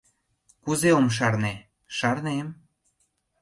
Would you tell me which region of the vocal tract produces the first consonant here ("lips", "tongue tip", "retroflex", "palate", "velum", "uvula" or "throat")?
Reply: velum